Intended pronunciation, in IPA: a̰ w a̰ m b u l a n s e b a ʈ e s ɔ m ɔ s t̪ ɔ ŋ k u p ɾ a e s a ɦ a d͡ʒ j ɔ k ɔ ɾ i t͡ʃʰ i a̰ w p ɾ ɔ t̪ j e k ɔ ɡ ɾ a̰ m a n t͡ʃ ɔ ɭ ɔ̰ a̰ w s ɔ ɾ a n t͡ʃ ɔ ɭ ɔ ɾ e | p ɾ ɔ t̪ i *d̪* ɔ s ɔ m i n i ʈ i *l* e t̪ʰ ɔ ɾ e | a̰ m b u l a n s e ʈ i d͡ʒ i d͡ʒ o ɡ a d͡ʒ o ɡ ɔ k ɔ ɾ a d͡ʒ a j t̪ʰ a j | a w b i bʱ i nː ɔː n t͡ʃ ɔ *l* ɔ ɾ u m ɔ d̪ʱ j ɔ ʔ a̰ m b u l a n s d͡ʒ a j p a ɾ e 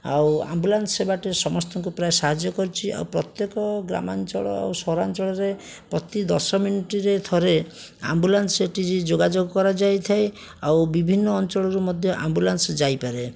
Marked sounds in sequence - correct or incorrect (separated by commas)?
correct, incorrect, incorrect